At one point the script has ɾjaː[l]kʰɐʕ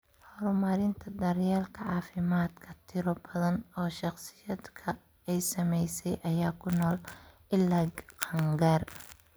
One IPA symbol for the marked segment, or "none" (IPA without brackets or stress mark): l